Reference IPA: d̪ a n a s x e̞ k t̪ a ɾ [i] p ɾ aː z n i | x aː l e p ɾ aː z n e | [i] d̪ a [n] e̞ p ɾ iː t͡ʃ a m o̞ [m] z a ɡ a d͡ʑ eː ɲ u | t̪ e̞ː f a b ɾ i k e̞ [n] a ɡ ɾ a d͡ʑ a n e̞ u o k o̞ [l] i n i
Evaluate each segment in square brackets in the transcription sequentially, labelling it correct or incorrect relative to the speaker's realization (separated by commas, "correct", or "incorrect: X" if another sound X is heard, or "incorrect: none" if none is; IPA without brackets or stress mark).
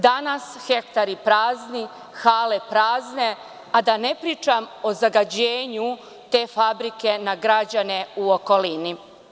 correct, incorrect: a, correct, incorrect: none, correct, correct